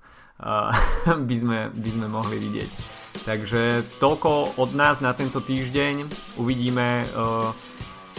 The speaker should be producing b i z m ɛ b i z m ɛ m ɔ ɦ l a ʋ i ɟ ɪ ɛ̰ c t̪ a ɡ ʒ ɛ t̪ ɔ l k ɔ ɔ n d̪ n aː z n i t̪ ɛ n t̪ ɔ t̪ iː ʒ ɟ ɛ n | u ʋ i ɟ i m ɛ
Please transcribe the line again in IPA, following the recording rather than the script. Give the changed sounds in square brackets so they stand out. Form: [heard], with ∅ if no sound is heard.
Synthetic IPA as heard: b i z m ɛ b i z m ɛ m ɔ ɦ l [i] ʋ i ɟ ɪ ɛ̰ c t̪ a ɡ ʒ ɛ t̪ ɔ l k ɔ ɔ [∅] d̪ n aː z n [a] t̪ ɛ n t̪ ɔ t̪ iː ʒ ɟ ɛ [ɲ] | u ʋ i ɟ [iː] m ɛ